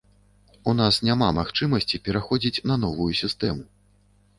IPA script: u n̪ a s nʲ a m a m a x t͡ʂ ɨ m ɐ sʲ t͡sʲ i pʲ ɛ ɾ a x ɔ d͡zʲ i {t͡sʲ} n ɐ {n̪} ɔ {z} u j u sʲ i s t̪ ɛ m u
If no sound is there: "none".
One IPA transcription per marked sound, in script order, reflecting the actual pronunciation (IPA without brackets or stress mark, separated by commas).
t͡sʲ, n̪, v